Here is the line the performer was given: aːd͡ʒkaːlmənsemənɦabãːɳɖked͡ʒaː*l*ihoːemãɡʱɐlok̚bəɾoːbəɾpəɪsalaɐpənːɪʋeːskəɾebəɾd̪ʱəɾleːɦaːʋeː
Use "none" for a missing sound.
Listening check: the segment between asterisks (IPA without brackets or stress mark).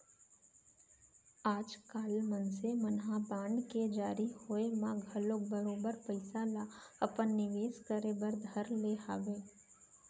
ɾ